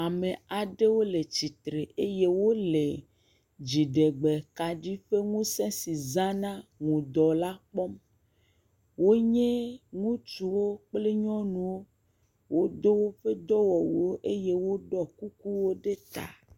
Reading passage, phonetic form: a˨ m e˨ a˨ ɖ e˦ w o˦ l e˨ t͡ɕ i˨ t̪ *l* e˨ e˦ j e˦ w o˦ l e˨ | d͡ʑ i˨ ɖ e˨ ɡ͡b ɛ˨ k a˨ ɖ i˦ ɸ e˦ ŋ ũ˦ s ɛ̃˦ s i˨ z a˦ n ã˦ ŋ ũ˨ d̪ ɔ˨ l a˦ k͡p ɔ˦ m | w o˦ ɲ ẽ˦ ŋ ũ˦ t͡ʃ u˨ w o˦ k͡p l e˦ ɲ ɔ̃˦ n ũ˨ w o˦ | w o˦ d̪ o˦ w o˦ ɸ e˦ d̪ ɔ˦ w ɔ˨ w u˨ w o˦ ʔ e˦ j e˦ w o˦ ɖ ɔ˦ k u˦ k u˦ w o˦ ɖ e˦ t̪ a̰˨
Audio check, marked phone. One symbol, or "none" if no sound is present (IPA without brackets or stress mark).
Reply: ɾ